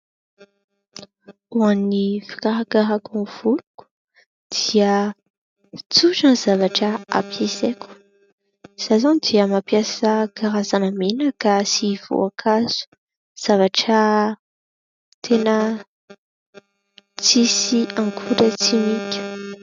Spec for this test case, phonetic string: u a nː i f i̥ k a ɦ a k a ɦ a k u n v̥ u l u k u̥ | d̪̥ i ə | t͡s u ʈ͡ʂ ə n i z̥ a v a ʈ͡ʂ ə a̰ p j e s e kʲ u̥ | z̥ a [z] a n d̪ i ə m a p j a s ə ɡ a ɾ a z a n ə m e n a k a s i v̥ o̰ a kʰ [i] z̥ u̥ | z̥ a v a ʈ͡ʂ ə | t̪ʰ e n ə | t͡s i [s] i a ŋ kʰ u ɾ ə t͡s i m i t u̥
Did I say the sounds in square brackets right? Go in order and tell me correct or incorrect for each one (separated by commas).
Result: correct, incorrect, correct